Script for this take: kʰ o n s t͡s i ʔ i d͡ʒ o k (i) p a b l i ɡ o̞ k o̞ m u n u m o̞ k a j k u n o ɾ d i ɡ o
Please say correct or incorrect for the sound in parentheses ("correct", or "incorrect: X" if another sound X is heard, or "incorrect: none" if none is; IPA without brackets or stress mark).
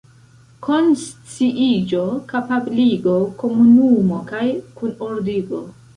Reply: incorrect: a